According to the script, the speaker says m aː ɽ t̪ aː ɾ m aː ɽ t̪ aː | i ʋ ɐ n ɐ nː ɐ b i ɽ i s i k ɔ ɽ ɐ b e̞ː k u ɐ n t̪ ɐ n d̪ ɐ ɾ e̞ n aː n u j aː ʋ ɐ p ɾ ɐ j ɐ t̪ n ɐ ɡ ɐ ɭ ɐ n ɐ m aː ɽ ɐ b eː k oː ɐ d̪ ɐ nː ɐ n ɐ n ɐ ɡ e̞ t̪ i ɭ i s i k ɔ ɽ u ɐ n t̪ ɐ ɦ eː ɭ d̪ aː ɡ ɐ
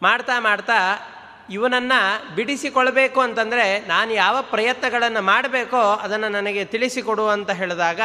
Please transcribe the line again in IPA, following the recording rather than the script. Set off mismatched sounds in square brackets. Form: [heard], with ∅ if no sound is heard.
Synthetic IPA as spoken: m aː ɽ t̪ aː [∅] m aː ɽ t̪ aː | i ʋ ɐ n ɐ nː ɐ b i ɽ i s i k ɔ [ɭ] ɐ b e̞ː k u ɐ n t̪ ɐ n d̪ ɐ ɾ e̞ n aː n u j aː ʋ ɐ p ɾ ɐ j ɐ t̪ n ɐ ɡ ɐ ɭ ɐ [nː] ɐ m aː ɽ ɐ b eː k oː ɐ d̪ ɐ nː ɐ n ɐ n ɐ ɡ e̞ t̪ i ɭ i s i k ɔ ɽ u ɐ n t̪ ɐ ɦ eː ɭ d̪ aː ɡ ɐ